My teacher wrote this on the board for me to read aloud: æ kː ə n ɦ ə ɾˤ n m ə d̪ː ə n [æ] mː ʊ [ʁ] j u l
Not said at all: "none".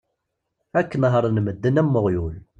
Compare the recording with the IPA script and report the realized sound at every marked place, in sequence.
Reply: æ, ʁ

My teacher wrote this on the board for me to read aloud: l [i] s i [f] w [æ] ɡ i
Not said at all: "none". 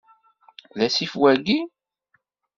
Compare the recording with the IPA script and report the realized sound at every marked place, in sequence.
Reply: æ, f, æ

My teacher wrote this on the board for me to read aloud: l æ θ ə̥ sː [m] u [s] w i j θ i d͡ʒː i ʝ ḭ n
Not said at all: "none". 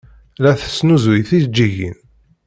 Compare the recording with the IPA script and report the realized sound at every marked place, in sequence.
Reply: n, z

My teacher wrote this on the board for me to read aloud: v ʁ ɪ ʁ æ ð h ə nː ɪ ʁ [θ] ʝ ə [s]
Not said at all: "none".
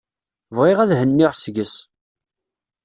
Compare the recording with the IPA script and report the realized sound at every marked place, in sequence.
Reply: s, s

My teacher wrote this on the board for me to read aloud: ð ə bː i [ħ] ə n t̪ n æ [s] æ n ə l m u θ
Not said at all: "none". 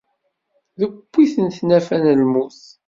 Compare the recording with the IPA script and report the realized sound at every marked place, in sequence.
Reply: θ, f

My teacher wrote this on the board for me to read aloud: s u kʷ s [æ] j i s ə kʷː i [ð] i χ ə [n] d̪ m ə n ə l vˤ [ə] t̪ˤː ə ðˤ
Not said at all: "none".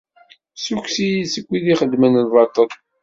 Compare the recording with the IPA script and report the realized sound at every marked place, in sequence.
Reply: i, ð, none, ɑ

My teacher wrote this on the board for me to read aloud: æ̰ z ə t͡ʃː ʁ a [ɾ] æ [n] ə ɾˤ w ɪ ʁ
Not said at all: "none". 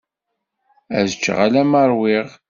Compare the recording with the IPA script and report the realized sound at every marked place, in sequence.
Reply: l, m

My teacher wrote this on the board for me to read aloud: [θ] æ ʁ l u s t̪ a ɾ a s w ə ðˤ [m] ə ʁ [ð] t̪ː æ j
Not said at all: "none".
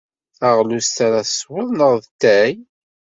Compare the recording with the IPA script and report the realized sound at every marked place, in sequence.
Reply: θ, n, ð

